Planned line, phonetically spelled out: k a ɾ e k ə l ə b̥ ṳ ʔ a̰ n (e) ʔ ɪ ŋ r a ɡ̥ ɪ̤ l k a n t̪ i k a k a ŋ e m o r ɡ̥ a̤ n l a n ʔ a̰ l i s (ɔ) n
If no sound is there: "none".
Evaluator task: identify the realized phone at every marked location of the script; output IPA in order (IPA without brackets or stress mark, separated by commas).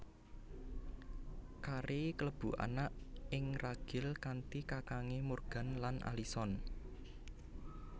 a, ɔ